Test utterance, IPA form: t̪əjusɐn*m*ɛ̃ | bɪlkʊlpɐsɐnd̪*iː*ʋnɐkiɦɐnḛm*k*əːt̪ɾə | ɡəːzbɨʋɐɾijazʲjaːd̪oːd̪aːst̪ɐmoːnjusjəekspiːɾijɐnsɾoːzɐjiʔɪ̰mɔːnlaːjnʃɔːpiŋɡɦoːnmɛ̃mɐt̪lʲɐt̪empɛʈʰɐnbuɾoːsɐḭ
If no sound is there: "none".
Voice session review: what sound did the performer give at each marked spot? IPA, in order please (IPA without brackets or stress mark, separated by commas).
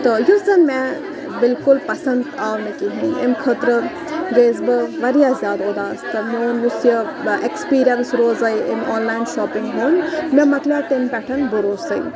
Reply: m, aː, kʰ